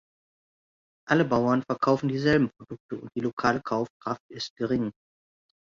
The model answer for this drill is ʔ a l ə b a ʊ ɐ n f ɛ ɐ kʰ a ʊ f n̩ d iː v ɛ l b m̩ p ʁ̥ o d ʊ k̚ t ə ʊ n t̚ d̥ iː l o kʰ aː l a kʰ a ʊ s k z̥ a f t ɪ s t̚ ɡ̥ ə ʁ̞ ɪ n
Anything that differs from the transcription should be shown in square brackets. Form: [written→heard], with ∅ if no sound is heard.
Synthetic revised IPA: ʔ a l ə b a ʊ ɐ n f ɛ ɐ kʰ a ʊ f n̩ d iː [v→z] ɛ l b m̩ p ʁ̥ o d ʊ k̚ t ə ʊ n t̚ d̥ iː l o kʰ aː l [a→ə] kʰ a ʊ [s→f] k [z̥→ʁ̥] a f t ɪ s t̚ ɡ̥ ə ʁ̞ ɪ [n→ŋ]